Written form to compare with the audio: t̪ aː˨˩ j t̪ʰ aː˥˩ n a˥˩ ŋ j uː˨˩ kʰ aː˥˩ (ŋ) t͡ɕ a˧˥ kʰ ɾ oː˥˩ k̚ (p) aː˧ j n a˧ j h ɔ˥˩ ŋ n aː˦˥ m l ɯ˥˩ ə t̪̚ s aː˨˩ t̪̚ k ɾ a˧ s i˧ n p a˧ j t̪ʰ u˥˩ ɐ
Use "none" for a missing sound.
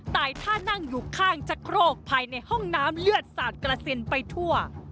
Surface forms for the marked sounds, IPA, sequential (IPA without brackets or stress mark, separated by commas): ŋ, pʰ